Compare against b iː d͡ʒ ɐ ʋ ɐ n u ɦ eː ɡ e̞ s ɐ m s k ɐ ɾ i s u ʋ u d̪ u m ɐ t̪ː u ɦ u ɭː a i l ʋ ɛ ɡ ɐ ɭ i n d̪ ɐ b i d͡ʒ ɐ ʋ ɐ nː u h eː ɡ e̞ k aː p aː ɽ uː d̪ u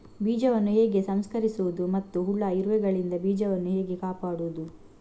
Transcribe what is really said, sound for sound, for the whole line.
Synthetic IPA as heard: b iː d͡ʒ ɐ ʋ ɐ nː u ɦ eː ɡ e̞ s ɐ m s k ɐ ɾ i s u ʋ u d̪ u m ɐ t̪ː u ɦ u ɭː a i ɾ ʋ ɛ ɡ ɐ ɭ i n d̪ ɐ b iː d͡ʒ ɐ ʋ ɐ nː u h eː ɡ e̞ k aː p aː ɽ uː d̪ u

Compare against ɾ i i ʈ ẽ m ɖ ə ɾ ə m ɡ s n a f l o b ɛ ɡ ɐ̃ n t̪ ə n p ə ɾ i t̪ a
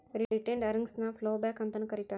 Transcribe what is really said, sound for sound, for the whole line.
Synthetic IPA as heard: ɾ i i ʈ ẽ ɳ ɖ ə ɾ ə ŋ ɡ s n a f l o b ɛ k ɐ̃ n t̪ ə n k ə ɾ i t̪ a

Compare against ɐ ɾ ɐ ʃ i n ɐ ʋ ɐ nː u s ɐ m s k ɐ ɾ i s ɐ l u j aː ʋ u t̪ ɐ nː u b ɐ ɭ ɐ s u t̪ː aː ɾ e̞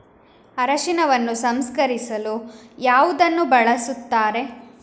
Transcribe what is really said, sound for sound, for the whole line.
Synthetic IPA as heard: ɐ ɾ ɐ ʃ i n ɐ ʋ ɐ nː u s ɐ m s k ɐ ɾ i s ɐ l u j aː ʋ u d̪ ɐ nː u b ɐ ɭ ɐ s u t̪ː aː ɾ e̞

